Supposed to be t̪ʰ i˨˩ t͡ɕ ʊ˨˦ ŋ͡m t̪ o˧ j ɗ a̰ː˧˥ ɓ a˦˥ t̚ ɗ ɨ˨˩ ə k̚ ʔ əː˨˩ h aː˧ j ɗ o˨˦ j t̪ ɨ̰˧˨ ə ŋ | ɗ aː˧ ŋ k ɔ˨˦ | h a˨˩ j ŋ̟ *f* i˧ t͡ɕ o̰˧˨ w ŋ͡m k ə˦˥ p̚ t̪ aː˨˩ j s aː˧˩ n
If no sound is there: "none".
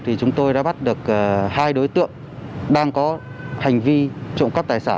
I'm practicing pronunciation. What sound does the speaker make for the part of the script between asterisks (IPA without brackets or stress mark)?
v